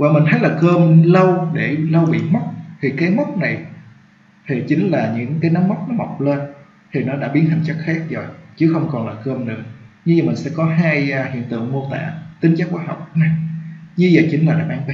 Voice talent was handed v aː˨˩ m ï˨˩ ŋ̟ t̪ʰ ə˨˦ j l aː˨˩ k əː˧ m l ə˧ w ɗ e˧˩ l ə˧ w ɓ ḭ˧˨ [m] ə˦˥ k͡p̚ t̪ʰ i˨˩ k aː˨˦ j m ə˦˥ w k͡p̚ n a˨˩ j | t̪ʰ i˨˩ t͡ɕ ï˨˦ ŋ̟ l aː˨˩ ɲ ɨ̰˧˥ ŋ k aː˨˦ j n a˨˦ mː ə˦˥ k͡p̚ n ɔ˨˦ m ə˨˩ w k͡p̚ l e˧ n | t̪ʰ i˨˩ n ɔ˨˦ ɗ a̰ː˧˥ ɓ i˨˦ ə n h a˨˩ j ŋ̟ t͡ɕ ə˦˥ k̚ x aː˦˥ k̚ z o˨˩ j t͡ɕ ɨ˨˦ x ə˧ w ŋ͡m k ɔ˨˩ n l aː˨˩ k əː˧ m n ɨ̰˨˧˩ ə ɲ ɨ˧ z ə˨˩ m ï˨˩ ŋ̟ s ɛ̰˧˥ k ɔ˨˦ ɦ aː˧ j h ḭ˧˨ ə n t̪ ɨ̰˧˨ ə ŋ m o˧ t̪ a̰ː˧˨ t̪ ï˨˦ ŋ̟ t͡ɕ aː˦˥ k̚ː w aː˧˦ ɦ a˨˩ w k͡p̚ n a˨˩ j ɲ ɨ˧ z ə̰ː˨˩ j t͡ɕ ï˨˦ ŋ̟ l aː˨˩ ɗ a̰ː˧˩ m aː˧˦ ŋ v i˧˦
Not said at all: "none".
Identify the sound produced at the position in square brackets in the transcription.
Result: m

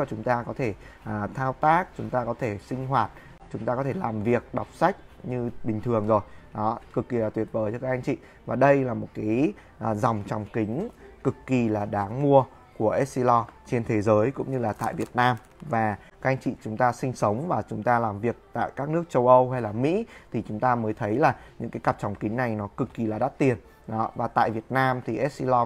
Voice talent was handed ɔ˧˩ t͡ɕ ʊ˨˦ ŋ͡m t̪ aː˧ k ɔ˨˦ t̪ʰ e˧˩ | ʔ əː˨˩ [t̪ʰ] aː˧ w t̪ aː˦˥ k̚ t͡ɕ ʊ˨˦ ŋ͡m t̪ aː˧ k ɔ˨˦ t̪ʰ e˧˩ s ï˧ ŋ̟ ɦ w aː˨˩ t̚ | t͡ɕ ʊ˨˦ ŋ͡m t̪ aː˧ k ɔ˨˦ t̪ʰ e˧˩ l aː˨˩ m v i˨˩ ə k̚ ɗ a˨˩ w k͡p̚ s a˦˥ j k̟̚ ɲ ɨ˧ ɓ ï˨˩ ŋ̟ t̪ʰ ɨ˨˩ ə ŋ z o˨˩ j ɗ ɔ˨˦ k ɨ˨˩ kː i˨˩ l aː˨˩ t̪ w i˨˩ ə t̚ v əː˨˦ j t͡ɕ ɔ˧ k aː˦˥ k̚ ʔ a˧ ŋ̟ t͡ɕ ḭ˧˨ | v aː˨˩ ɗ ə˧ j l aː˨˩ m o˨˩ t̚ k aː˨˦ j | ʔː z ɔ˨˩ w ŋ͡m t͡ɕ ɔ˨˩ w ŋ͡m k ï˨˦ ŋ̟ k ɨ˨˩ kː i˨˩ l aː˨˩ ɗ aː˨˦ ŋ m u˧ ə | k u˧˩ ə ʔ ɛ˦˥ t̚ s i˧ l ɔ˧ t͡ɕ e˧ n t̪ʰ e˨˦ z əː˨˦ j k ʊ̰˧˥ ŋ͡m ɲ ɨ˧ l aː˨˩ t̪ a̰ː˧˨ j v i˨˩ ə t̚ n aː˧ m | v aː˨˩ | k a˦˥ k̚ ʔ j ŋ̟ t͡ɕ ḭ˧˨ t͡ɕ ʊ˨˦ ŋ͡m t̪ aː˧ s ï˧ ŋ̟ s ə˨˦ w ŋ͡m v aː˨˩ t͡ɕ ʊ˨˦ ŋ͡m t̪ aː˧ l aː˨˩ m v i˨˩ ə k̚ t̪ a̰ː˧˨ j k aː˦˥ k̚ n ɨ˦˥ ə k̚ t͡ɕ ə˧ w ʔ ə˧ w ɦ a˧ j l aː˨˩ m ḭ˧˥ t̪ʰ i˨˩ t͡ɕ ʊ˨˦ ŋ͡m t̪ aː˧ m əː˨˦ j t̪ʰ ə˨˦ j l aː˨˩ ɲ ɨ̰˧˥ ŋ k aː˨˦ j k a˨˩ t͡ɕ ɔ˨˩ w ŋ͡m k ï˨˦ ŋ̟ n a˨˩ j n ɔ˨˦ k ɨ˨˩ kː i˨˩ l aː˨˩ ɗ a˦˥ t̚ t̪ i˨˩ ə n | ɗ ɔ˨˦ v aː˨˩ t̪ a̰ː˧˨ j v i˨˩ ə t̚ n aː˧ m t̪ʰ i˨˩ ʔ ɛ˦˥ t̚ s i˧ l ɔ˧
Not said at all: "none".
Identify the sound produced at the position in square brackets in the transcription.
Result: t̪ʰ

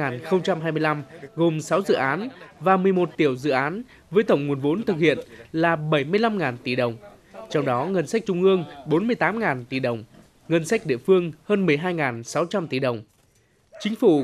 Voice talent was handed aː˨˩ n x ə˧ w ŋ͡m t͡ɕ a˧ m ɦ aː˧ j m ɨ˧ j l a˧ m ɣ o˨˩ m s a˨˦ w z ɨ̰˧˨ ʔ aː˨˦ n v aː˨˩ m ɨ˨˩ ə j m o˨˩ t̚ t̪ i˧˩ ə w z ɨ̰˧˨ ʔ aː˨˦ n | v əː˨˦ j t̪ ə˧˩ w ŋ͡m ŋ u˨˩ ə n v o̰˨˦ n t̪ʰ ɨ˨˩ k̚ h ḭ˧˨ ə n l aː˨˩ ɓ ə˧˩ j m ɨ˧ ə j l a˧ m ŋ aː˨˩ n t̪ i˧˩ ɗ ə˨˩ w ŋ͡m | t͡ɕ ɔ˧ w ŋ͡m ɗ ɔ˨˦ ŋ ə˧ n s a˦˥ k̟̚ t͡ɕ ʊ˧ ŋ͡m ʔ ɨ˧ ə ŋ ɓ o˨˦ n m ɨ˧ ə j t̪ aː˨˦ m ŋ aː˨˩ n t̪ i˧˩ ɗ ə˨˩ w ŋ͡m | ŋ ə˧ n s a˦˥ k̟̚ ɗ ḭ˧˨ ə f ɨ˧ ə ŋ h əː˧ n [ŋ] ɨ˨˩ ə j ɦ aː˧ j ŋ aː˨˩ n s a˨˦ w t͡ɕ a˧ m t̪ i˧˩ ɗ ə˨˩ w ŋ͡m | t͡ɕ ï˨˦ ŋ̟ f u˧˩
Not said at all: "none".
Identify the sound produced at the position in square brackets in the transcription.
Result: m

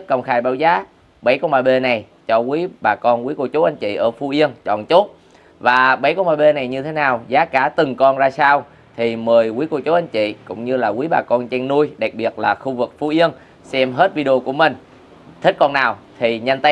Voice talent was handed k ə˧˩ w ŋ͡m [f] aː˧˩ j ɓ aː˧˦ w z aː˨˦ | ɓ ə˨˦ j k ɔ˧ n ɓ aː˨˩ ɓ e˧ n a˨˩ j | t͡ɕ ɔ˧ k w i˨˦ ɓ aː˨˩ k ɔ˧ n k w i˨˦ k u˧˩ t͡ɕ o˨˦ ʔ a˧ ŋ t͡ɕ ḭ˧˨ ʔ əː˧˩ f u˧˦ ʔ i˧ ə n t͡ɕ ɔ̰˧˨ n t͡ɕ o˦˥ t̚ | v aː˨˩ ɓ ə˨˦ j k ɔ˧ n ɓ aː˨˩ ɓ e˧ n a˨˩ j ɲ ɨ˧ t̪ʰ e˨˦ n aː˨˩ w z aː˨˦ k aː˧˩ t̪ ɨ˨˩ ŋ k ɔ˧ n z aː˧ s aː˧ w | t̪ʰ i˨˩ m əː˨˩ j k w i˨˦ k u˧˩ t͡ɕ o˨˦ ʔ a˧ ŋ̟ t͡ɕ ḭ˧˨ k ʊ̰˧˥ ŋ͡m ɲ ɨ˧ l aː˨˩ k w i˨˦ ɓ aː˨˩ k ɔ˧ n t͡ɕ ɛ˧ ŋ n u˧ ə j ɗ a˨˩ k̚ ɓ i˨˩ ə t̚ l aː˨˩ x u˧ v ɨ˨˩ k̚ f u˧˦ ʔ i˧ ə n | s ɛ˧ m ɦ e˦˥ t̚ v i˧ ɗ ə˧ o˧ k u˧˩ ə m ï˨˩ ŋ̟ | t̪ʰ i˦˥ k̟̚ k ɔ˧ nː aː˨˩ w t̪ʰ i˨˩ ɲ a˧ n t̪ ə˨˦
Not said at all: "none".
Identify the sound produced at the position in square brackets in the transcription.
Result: x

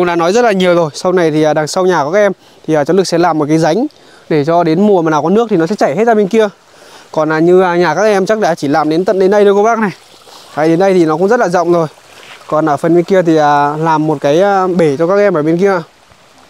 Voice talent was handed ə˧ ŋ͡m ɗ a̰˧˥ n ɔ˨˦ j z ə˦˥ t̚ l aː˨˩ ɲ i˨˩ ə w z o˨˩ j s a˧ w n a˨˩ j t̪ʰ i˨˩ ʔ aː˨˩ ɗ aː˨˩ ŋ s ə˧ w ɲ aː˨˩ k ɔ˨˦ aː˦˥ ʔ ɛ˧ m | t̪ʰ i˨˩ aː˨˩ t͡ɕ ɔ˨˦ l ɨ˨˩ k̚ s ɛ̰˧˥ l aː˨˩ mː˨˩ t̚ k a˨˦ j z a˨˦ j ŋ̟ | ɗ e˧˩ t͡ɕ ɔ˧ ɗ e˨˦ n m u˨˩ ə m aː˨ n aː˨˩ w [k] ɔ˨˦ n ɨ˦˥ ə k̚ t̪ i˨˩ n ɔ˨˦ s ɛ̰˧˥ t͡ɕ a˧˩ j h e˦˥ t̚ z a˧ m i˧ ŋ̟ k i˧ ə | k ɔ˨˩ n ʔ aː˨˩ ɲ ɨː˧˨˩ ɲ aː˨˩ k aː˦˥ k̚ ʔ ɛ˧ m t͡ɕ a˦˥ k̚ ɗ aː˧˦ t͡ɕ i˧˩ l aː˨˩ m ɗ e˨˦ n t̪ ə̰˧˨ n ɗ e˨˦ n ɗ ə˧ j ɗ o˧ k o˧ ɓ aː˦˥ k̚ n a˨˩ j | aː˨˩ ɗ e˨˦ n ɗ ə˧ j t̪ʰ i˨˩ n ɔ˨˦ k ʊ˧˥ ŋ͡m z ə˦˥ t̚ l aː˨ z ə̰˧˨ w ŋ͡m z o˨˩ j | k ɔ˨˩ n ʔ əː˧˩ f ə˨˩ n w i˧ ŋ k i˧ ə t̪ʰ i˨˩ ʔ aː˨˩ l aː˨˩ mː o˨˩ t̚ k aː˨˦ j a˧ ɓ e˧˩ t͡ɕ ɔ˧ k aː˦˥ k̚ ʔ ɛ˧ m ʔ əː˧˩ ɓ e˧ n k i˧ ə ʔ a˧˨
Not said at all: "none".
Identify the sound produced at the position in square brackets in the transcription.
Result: k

